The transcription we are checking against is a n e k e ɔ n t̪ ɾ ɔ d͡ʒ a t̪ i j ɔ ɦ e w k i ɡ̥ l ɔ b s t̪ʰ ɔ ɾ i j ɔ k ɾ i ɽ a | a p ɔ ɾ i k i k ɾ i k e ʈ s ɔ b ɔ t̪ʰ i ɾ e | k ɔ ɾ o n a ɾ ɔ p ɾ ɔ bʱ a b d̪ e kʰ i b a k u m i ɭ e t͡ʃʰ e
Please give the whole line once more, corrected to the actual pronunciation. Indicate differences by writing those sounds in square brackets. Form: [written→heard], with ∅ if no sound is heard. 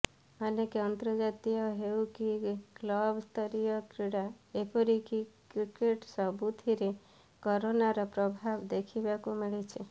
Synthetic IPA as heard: a n e k e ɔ n t̪ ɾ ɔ d͡ʒ a t̪ i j ɔ ɦ e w k i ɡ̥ l ɔ b s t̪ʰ ɔ ɾ i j ɔ k ɾ i ɽ a | [a→e] p ɔ ɾ i k i k ɾ i k e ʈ s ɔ b [ɔ→u] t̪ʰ i ɾ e | k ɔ ɾ o n a ɾ ɔ p ɾ ɔ bʱ a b d̪ e kʰ i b a k u m i ɭ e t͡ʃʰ e